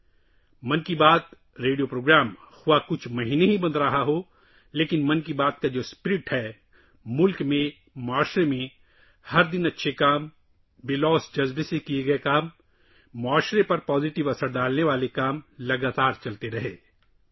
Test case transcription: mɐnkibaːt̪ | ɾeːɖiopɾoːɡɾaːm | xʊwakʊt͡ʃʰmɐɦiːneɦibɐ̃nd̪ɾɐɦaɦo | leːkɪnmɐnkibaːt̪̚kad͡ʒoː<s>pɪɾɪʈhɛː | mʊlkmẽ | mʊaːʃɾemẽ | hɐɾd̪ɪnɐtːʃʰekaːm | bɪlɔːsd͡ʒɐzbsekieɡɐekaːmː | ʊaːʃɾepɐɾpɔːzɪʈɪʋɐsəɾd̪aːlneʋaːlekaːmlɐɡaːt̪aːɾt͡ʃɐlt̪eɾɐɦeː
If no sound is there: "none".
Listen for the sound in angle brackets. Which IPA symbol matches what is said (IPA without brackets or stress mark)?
s